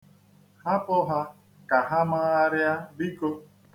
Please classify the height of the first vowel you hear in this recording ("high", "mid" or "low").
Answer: low